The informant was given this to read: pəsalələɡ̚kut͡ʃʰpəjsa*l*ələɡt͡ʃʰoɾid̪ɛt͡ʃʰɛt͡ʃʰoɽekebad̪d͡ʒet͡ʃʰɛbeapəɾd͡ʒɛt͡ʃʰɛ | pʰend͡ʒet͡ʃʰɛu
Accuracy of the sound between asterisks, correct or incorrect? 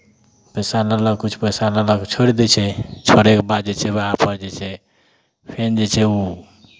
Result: correct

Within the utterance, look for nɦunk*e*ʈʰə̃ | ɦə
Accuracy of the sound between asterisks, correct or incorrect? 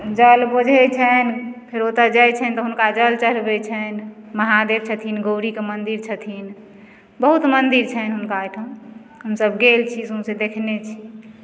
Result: incorrect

